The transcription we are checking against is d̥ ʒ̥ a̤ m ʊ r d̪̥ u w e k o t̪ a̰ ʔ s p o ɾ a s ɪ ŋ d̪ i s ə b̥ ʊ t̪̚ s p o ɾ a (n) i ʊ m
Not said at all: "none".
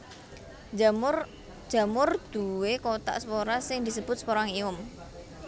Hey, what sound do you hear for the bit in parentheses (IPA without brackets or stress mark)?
ŋ